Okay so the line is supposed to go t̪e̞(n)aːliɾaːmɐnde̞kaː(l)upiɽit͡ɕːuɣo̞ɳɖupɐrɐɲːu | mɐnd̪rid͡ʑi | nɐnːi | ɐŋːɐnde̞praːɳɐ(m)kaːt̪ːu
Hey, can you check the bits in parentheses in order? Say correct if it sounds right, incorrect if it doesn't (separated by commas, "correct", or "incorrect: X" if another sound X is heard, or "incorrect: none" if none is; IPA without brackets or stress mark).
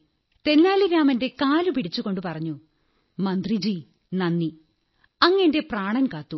incorrect: nː, correct, incorrect: n